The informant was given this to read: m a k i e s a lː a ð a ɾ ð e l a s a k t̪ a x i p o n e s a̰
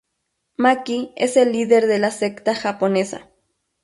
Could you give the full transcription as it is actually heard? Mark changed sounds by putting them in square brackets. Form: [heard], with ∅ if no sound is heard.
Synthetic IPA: m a k i e s [e] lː [i] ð [e] ɾ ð e l a s [e] k t̪ a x [a] p o n e s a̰